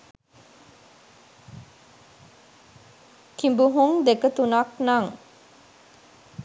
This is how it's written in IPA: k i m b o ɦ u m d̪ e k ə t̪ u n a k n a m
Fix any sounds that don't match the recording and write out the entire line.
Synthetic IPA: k i m b u ɦ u ŋ d̪ e k ə t̪ u n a k n a ŋ